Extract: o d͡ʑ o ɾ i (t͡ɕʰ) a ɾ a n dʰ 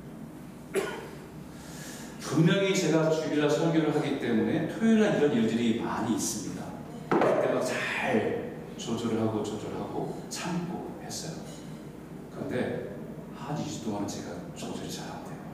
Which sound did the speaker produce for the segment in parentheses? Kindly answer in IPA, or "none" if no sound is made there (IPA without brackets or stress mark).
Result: t͡ɕ